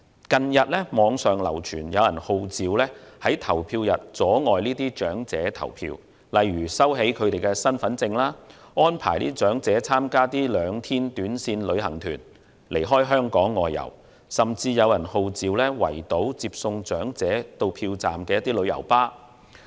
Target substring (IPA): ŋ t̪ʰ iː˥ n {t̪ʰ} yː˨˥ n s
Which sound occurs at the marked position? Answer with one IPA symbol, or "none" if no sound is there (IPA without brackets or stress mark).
t̪